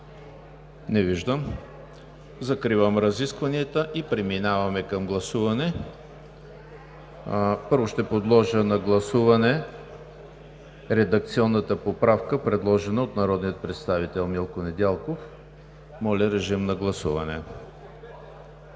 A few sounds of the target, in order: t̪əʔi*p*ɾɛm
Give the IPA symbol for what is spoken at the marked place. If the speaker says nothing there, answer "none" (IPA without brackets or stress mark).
p